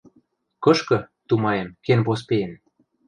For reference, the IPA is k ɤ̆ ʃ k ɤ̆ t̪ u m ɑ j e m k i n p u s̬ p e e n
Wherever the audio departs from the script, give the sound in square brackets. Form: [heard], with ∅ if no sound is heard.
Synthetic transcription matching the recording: k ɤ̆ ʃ k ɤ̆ t̪ u m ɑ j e m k [e] n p [o] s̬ p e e n